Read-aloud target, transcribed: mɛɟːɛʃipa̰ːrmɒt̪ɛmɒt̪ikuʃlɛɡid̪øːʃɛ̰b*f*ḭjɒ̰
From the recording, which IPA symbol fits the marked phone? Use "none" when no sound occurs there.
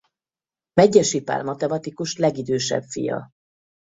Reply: f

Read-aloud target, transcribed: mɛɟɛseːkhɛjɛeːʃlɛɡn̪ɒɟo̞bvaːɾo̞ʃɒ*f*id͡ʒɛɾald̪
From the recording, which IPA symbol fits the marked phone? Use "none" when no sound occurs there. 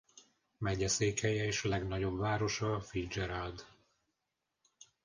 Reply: f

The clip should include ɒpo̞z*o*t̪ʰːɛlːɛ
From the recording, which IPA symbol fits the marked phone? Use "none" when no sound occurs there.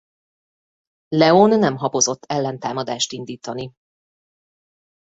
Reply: o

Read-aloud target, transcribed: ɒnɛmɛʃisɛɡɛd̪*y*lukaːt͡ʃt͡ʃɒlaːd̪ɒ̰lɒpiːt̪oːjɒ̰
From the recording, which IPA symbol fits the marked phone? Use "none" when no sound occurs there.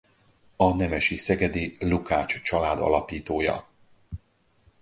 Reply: i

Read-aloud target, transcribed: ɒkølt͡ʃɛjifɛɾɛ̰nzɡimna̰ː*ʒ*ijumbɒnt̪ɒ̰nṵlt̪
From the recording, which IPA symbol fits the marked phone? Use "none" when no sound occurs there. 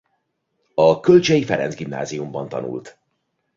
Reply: z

